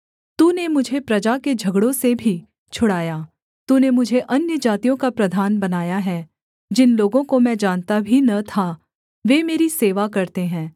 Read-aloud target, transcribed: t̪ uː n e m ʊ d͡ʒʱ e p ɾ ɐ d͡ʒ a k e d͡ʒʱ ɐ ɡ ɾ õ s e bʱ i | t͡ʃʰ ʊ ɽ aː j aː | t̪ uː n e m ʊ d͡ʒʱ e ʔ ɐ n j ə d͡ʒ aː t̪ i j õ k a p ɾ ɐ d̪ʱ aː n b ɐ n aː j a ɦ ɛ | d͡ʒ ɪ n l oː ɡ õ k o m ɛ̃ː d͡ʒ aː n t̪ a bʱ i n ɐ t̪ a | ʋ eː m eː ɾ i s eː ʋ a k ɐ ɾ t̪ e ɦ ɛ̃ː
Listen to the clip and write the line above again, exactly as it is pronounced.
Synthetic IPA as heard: t̪ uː n e m ʊ d͡ʒʱ e p ɾ ɐ d͡ʒ a k e d͡ʒʱ ɐ ɡ ɽ õ s e bʱ i | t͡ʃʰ ʊ ɽ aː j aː | t̪ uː n e m ʊ d͡ʒʱ e ʔ ɐ n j ə d͡ʒ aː t̪ i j õ k a p ɾ ɐ d̪ʱ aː n b ɐ n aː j a ɦ ɛ | d͡ʒ ɪ n l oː ɡ õ k o m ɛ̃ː d͡ʒ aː n t̪ a bʱ i n ɐ t̪ʰ a | ʋ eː m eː ɾ i s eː ʋ a k ɐ ɾ t̪ e ɦ ɛ̃ː